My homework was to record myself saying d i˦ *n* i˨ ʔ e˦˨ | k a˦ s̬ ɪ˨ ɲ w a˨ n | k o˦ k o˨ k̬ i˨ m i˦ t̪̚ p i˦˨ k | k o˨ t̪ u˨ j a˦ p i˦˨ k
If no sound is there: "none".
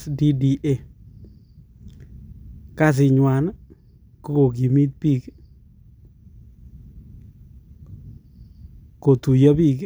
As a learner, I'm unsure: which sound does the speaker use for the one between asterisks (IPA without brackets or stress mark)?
d